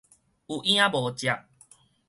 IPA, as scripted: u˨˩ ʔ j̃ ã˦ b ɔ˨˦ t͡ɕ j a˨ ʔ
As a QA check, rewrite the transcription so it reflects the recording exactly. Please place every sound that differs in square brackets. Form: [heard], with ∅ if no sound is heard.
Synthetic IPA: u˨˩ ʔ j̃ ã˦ b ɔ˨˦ t͡ɕ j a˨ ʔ